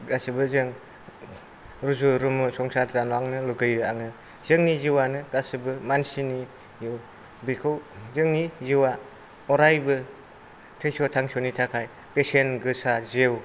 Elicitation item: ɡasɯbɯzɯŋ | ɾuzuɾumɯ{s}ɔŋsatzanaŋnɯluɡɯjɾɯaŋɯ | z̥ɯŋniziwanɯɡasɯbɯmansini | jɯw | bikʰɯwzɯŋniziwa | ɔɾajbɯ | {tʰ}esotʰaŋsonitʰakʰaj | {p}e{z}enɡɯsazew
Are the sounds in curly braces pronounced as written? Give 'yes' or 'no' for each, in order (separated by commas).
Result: yes, yes, yes, no